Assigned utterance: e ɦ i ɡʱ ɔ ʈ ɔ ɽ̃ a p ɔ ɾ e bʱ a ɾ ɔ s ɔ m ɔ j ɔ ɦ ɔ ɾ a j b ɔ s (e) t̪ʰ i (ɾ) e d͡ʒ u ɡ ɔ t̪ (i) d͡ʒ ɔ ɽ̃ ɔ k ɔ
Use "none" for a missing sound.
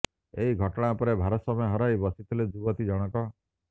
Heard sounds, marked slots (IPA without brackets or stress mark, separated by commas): i, l, i